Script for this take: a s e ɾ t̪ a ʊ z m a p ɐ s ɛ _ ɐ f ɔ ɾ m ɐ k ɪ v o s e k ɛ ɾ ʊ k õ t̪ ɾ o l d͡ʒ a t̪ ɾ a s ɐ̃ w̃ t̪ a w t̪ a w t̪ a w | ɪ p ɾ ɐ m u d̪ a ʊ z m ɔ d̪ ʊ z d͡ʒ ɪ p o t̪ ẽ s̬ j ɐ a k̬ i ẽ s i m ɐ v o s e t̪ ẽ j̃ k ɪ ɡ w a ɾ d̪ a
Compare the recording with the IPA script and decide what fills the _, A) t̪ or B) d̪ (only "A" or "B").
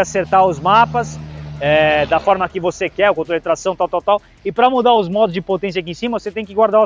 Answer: B